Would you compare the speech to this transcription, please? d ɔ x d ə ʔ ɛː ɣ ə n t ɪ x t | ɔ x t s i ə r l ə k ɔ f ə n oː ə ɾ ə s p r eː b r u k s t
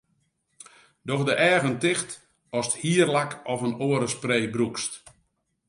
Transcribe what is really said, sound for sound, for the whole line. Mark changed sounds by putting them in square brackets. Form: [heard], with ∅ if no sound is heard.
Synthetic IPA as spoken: d ɔ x d ə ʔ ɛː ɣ ə n t ɪ x t | ɔ [s] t [h] i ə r l [a] k ɔ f ə n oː ə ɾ ə s p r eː b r u k s t